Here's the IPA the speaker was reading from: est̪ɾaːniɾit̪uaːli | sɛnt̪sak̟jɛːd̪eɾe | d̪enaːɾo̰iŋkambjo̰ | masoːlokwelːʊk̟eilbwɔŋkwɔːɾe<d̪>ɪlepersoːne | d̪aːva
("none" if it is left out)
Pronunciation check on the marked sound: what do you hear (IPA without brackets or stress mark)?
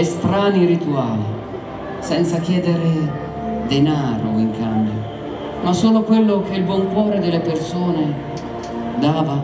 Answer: d̪